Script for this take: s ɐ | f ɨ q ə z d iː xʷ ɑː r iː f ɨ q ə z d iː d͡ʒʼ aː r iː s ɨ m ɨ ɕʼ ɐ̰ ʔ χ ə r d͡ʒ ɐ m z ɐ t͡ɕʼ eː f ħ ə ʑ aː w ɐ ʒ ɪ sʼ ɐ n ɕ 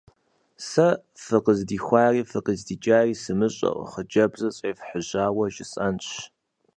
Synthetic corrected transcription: s ɐ | f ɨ q ə z d iː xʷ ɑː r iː f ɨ q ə z d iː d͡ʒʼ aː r iː s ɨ m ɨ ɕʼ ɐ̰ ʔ χ ə d͡ʒ ɐ b z ɐ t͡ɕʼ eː f ħ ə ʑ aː w ɐ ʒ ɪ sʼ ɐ n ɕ